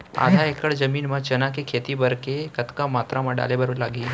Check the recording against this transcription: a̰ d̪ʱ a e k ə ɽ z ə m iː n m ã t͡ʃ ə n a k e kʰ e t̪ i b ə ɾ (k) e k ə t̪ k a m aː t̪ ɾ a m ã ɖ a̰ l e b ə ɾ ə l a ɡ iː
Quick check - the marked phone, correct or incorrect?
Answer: correct